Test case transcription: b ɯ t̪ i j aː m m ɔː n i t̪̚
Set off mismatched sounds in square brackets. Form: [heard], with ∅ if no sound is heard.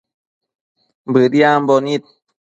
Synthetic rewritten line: b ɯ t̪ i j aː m [b] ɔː n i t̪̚